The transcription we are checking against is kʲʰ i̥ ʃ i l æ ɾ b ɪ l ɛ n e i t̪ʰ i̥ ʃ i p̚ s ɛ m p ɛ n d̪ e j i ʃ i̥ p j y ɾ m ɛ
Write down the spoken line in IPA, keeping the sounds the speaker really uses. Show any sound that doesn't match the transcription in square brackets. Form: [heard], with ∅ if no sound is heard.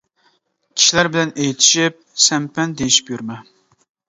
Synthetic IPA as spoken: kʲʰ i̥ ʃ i l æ ɾ b ɪ l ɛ n e [j] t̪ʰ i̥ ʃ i p̚ s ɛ m p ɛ n d̪ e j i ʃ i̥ p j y ɾ m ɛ

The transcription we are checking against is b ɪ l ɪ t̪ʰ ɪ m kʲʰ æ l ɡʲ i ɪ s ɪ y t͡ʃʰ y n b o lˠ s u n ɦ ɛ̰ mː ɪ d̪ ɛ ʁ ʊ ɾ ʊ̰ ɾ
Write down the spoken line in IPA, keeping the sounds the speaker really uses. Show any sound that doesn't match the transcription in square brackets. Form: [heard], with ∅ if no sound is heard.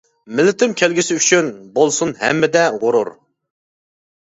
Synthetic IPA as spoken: [m] ɪ l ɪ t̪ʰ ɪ m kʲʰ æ l ɡʲ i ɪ s ɪ y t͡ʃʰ y n b o lˠ s u n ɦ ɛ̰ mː ɪ d̪ ɛ ʁ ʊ ɾ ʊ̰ ɾ

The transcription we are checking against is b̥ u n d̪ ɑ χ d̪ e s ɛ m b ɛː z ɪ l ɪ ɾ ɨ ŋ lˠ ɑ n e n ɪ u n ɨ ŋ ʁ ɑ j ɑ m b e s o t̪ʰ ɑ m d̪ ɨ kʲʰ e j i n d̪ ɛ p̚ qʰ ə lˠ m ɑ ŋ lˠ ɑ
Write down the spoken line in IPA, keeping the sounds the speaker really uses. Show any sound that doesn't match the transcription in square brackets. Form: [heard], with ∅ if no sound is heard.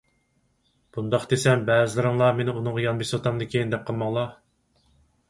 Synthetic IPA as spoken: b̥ u n d̪ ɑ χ d̪ e s ɛ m b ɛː z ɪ l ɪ ɾ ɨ ŋ lˠ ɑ [m] e n ɪ u n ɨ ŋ ʁ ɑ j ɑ [n] b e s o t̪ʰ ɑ m d̪ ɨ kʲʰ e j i n d̪ ɛ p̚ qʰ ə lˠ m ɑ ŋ lˠ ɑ

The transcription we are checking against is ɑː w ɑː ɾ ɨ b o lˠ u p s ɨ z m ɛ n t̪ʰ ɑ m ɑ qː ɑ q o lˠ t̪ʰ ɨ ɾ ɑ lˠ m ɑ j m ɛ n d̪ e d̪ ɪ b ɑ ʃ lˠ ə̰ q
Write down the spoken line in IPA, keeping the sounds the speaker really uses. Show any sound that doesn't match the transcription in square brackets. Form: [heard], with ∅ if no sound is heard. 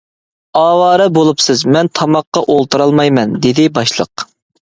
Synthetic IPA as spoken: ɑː w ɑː ɾ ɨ b o lˠ u p s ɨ z m ɛ n t̪ʰ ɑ m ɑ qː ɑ [ʔ] o lˠ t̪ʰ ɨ ɾ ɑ lˠ m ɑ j m ɛ n d̪ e d̪ ɪ b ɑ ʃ lˠ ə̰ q

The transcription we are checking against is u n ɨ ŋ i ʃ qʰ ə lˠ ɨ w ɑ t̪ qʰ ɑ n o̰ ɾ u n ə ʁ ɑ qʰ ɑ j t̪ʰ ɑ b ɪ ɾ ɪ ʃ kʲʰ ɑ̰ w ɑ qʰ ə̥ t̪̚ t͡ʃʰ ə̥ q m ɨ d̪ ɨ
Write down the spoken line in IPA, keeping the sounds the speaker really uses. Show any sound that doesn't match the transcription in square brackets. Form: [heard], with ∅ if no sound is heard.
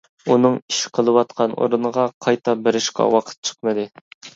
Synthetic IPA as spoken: u n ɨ ŋ i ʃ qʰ ə lˠ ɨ w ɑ t̪ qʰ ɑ n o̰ ɾ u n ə ʁ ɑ qʰ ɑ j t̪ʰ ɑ b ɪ ɾ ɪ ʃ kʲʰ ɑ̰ w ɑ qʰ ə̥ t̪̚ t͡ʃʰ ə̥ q m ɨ d̪ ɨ

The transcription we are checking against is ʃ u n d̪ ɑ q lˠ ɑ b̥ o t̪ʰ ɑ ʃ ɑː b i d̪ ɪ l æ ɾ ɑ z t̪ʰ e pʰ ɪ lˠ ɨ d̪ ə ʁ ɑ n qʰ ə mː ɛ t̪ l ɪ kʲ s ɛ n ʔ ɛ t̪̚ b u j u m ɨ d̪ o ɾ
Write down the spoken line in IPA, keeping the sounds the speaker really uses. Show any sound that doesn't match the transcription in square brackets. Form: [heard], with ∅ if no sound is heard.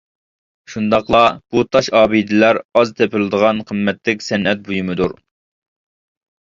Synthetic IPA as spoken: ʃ u n d̪ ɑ q lˠ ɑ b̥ [u] t̪ʰ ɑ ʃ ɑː b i d̪ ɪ l æ ɾ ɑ z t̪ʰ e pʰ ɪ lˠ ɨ d̪ ə ʁ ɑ n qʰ ə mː ɛ t̪ l ɪ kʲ s ɛ n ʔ ɛ t̪̚ b u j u m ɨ d̪ [u] ɾ

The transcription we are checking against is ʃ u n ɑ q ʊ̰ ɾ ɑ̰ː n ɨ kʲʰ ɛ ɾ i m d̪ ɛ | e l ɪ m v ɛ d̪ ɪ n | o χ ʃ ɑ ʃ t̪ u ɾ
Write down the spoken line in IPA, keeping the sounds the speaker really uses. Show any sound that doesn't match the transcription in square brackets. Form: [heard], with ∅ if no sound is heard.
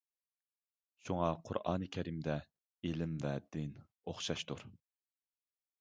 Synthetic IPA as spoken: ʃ u [ŋ] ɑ [qʰ] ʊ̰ ɾ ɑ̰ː n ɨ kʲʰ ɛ ɾ i m d̪ ɛ | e l ɪ m v ɛ d̪ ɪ n | o χ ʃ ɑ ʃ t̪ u ɾ

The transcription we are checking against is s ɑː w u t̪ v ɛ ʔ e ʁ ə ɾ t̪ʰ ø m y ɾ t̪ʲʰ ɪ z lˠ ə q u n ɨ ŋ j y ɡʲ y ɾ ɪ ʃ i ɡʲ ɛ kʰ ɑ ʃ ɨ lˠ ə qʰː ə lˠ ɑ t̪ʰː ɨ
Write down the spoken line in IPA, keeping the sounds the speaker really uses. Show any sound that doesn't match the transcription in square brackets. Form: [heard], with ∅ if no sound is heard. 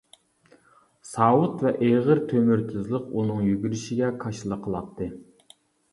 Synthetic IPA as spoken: s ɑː w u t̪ v ɛ ʔ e ʁ ə ɾ t̪ʰ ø m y ɾ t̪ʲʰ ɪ z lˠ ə q u n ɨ ŋ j y ɡʲ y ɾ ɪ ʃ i ɡʲ ɛ kʰ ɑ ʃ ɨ lˠ ə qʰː ə lˠ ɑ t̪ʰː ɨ

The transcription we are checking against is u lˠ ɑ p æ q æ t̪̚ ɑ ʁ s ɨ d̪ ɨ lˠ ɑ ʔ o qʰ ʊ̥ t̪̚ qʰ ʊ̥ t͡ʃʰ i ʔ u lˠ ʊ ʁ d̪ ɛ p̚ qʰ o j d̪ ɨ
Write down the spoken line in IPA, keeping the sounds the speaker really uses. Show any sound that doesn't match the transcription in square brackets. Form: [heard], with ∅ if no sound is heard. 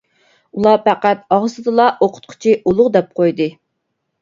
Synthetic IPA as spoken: u lˠ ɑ p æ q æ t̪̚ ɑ ʁ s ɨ d̪ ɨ lˠ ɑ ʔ o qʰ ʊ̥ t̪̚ qʰ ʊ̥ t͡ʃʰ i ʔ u lˠ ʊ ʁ d̪ ɛ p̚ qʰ o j d̪ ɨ

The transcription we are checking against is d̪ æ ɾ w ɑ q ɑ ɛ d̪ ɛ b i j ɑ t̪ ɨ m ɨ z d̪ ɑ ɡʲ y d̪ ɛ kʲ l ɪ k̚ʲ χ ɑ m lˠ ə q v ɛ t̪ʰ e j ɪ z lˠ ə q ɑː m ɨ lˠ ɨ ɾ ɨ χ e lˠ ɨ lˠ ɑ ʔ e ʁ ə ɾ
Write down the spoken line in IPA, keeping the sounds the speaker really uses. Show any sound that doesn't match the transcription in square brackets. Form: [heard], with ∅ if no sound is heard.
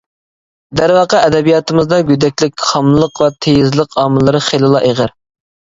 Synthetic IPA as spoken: d̪ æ ɾ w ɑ q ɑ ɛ d̪ ɛ b i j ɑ t̪ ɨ m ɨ z d̪ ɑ ɡʲ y d̪ ɛ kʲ l ɪ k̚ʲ χ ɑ m lˠ ə q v ɛ t̪ʰ e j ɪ z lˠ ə q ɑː m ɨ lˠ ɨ ɾ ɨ χ e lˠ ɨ lˠ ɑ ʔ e ʁ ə ɾ

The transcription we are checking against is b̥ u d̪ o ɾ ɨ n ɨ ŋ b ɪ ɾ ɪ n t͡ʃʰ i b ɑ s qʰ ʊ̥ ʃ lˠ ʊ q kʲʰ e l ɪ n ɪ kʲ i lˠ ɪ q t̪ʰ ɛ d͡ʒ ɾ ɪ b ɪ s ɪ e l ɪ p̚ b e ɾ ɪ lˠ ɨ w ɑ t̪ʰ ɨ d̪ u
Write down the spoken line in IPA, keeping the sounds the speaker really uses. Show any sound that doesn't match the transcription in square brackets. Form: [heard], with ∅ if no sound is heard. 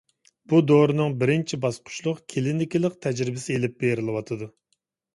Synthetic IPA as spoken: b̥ u d̪ o ɾ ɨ n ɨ ŋ b ɪ ɾ ɪ n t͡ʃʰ i b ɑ s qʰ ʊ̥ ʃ lˠ ʊ q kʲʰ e l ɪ n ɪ kʲ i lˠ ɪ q t̪ʰ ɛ d͡ʒ ɾ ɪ b ɪ s ɪ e l ɪ p̚ b e ɾ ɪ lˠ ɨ w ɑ t̪ʰ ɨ d̪ u

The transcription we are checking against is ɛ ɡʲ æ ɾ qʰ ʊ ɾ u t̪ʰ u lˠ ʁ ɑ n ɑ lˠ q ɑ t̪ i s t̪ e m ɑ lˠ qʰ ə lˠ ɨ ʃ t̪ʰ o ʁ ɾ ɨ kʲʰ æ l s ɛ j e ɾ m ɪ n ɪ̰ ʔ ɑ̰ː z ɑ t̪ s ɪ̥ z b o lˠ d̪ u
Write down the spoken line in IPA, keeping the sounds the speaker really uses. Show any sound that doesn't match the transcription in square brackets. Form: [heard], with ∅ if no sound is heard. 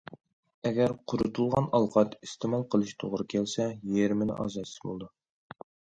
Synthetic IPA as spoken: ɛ ɡʲ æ ɾ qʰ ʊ ɾ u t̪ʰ u lˠ ʁ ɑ n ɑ lˠ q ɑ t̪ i s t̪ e m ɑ lˠ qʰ ə lˠ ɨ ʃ t̪ʰ o ʁ ɾ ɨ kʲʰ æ l s ɛ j e ɾ m ɪ n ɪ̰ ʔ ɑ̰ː z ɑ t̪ s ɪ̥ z b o lˠ d̪ u

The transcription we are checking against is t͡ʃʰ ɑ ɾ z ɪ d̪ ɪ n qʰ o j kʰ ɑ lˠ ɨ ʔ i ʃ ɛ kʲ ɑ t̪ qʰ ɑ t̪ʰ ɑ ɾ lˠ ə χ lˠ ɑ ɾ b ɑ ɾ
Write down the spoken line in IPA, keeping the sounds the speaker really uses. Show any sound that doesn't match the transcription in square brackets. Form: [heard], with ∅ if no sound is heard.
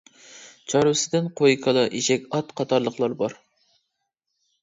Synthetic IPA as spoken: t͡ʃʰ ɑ ɾ [s] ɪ d̪ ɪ n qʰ o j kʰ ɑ lˠ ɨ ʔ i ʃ ɛ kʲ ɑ t̪ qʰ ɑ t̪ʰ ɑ ɾ lˠ ə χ lˠ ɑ ɾ b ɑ ɾ

